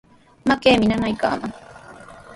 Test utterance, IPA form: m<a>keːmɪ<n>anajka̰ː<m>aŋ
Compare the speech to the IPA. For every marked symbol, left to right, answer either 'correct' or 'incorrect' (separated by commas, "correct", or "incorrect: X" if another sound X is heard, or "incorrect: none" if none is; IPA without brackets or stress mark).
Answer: correct, correct, correct